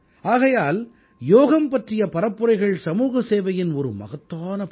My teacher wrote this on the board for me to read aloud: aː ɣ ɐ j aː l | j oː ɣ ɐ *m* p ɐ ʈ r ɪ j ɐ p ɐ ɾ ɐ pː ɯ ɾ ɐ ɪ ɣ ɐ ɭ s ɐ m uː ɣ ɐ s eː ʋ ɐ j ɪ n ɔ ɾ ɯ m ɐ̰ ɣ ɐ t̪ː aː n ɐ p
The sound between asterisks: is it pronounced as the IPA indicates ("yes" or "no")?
yes